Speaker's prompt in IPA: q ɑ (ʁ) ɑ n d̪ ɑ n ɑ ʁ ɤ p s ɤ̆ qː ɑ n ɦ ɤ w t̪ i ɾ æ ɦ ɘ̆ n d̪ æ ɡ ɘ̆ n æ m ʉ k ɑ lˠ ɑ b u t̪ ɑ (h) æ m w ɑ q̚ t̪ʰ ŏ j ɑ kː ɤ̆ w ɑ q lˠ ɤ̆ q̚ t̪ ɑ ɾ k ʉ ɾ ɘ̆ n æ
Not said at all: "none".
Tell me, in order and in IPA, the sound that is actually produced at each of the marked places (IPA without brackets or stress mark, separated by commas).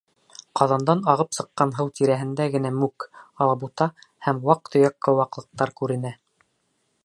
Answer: ð, h